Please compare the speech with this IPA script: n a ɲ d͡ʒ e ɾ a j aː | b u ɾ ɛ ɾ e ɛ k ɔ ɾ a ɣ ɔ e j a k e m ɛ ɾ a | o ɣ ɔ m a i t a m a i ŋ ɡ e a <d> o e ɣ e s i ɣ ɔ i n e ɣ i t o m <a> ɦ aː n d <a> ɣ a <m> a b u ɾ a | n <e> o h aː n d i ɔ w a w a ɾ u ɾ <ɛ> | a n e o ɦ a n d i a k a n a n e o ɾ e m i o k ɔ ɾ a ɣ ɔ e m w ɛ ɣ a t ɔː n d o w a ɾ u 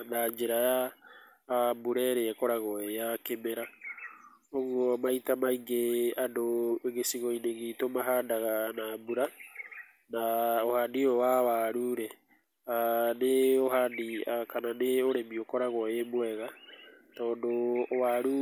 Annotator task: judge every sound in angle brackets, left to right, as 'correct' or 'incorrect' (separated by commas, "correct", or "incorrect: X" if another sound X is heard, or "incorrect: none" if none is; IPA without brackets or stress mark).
correct, correct, correct, incorrect: n, incorrect: a, correct